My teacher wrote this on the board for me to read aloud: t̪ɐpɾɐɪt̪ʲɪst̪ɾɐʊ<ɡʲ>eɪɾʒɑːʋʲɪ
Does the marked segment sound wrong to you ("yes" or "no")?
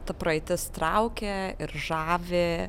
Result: yes